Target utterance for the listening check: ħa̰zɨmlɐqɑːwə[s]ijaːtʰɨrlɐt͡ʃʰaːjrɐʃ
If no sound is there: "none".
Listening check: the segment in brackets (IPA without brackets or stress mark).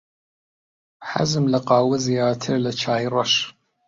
z